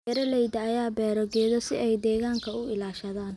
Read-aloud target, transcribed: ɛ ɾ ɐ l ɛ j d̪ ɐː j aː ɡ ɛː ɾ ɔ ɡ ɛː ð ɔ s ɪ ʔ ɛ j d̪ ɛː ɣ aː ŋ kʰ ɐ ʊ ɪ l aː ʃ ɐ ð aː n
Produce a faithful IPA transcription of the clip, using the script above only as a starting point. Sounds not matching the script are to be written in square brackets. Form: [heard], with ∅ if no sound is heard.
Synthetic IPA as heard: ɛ ɾ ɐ l ɛ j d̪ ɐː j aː [b] ɛː ɾ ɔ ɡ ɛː ð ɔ s ɪ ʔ ɛ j d̪ ɛː ɣ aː ŋ kʰ ɐ ʊ ɪ l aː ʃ ɐ ð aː n